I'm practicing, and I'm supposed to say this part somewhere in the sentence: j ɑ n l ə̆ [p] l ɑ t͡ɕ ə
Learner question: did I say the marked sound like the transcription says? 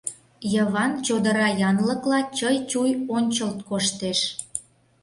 no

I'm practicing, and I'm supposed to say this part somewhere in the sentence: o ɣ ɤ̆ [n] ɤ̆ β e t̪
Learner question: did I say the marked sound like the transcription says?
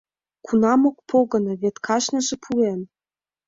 yes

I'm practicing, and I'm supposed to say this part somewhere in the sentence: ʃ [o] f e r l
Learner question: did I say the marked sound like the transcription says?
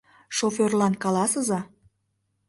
yes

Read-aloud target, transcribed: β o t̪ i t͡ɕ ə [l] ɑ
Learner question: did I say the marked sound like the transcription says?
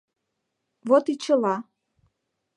yes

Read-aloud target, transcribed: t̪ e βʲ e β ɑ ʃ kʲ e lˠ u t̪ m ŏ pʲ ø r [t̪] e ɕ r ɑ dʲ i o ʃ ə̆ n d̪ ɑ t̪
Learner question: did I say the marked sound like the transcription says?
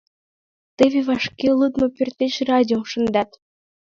yes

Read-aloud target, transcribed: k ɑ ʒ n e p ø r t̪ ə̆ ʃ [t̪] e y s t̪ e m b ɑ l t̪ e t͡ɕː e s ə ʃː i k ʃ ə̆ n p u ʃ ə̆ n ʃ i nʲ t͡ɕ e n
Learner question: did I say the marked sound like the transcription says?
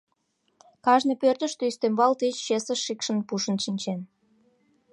yes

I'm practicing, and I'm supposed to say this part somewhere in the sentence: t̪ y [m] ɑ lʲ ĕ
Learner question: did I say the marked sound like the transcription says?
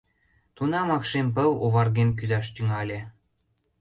no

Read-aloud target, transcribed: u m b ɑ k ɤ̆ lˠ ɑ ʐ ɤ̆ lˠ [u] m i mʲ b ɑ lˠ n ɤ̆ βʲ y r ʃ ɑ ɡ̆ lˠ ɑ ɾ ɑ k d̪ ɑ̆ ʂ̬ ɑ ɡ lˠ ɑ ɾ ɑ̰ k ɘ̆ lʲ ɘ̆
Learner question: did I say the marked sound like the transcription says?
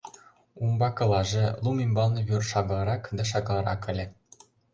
yes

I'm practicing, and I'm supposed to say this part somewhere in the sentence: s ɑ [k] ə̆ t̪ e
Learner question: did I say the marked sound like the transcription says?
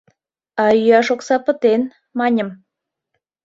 no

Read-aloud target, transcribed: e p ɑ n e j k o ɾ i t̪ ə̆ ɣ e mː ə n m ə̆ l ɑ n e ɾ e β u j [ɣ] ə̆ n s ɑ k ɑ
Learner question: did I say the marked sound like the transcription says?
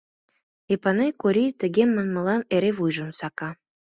no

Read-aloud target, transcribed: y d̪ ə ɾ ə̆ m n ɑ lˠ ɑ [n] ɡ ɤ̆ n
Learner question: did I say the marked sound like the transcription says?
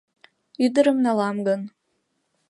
no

